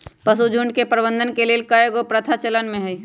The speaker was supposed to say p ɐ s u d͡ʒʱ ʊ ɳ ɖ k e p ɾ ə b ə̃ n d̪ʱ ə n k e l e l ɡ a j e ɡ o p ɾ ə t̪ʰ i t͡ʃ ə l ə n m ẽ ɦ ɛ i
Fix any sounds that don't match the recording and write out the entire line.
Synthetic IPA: p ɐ s u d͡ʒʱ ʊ ɳ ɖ k e p ɾ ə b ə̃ n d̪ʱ ə n k e l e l k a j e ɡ o p ɾ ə t̪ʰ a t͡ʃ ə l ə n m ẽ ɦ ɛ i